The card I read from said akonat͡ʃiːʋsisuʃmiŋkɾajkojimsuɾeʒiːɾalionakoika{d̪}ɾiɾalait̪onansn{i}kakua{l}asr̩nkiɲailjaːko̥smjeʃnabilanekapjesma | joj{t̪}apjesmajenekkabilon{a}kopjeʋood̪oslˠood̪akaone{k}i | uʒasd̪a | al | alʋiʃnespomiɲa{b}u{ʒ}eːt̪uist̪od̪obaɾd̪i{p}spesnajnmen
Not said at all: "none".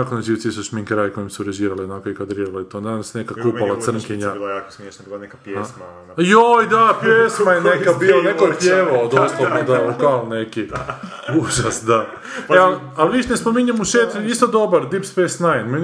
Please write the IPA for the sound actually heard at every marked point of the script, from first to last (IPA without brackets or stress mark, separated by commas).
d̪, e, l, d̪, e, k, m, ʃ, p